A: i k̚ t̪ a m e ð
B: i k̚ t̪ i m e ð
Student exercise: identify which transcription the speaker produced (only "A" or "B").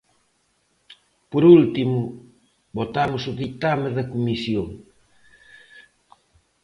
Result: A